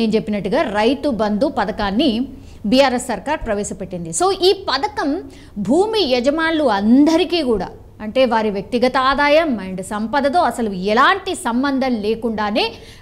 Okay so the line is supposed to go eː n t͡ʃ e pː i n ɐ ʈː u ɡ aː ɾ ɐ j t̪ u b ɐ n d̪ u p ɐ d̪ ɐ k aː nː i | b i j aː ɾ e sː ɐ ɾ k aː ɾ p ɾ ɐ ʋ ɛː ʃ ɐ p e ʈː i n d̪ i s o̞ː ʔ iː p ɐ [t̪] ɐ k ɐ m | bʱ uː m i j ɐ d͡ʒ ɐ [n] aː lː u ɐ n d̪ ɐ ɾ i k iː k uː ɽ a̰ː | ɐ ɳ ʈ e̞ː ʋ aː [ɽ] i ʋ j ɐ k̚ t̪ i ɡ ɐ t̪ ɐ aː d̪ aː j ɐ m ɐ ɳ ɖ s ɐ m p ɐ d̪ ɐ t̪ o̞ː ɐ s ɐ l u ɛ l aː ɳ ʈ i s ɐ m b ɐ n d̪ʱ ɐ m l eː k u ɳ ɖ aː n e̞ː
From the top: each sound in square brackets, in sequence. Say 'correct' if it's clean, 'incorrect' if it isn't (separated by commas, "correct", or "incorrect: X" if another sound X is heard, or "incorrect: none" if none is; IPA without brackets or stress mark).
incorrect: d̪, incorrect: m, incorrect: ɾ